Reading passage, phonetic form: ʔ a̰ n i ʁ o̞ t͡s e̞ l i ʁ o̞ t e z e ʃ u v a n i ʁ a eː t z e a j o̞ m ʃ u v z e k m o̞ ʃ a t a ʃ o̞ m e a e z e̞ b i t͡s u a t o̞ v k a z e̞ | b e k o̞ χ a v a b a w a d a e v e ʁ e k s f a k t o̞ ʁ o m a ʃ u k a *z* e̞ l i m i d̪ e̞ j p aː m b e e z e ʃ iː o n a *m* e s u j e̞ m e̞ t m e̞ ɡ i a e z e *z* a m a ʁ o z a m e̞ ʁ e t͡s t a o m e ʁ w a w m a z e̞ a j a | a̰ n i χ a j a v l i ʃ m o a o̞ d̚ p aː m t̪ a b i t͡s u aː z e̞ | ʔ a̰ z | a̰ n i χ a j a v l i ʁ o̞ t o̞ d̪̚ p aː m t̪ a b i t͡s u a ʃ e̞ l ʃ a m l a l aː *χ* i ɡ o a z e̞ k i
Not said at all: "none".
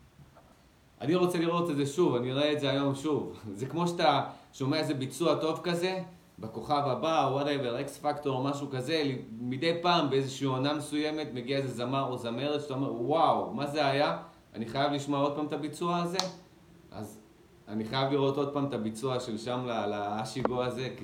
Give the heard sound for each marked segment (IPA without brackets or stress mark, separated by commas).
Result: z, m, z, ʃ